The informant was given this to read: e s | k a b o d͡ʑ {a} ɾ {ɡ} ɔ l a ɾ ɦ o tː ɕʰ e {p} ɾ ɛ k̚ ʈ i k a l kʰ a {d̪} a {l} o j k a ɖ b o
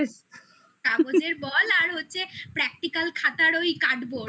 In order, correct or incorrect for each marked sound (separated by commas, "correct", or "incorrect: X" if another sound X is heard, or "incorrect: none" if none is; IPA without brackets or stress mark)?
incorrect: e, incorrect: b, correct, incorrect: t̪, incorrect: ɾ